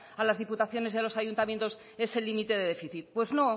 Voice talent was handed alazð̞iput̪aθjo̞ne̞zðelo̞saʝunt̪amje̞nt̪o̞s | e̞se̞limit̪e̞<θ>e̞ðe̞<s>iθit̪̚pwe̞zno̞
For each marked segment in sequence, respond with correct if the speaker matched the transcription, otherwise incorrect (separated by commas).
incorrect, incorrect